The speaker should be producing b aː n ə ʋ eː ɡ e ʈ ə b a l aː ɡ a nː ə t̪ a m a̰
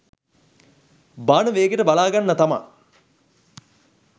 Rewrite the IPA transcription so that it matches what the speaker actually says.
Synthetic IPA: b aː n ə ʋ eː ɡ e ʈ ə b a l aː ɡ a nː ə t̪ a m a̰